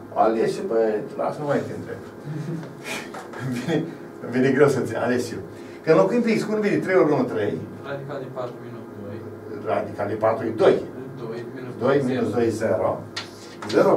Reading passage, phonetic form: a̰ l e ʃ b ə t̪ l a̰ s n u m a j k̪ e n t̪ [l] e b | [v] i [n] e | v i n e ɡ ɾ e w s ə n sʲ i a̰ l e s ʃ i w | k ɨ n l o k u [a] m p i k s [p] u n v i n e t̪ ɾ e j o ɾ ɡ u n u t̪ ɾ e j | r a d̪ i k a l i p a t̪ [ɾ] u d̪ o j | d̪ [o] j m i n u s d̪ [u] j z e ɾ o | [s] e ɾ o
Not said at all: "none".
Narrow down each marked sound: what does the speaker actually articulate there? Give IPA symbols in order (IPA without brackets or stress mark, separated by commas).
ɾ, v, n, i, k, ɾ, o, o, z